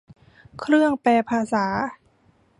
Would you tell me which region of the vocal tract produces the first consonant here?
velum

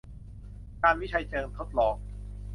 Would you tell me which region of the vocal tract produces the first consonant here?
velum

